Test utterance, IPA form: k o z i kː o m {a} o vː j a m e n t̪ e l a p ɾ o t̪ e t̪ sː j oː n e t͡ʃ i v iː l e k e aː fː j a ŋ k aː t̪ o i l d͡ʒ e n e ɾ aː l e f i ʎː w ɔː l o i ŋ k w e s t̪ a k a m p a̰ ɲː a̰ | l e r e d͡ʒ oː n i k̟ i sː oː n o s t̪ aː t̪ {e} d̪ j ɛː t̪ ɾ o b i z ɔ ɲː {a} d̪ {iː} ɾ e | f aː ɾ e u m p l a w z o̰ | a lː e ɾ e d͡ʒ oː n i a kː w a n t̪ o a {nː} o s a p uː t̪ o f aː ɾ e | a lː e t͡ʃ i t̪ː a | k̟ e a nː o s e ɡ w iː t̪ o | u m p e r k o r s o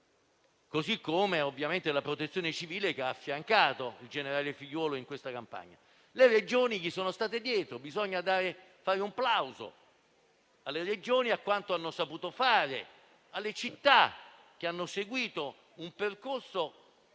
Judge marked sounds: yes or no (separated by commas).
no, yes, yes, no, yes